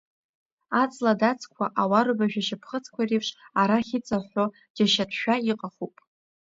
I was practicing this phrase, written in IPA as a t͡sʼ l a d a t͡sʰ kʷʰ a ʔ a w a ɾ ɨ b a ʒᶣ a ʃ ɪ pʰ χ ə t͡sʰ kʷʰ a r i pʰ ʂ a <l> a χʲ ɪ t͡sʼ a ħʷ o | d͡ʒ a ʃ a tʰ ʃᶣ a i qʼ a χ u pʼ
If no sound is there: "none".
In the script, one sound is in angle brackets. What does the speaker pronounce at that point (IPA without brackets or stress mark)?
ɾ